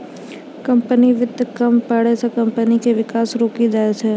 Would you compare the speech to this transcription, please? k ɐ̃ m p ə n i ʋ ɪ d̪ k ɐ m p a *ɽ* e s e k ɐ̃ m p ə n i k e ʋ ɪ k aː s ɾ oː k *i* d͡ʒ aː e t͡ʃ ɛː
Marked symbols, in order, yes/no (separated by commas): yes, yes